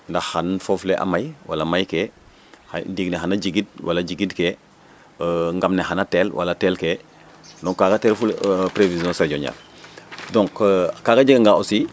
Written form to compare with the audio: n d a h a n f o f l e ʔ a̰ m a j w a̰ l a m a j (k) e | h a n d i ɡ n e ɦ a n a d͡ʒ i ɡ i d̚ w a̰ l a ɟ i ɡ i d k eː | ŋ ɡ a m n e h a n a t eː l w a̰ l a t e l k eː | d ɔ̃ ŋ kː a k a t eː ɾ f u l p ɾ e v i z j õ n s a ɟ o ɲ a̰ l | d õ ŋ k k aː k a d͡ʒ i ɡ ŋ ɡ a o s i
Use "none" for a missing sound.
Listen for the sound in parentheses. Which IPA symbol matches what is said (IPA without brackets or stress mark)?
k